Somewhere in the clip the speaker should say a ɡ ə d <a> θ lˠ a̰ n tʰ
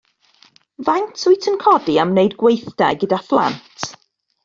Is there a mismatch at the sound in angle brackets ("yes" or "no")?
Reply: no